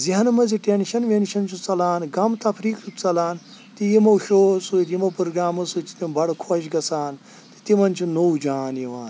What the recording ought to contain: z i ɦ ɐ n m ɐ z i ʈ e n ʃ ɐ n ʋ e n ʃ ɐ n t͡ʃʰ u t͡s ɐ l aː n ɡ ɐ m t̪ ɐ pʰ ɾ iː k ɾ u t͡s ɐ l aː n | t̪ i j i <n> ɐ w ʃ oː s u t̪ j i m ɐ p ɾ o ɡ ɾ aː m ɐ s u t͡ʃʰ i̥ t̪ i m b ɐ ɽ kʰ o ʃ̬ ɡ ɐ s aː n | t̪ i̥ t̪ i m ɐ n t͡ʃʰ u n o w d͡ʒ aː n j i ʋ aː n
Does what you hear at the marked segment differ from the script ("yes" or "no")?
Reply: yes